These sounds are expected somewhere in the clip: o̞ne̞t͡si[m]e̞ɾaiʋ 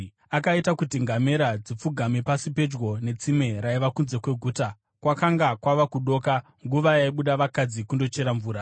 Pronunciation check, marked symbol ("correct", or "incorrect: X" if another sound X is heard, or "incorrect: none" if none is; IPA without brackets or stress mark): correct